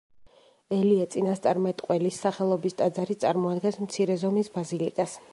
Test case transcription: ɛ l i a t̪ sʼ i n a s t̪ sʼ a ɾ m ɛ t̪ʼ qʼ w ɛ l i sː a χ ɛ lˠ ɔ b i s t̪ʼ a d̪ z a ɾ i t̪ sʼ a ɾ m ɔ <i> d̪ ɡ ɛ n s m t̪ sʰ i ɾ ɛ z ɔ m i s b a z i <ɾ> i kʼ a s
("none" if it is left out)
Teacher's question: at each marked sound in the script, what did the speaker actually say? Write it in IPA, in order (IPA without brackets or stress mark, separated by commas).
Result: a, l